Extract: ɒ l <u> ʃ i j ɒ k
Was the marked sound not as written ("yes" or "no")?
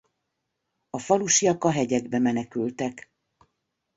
no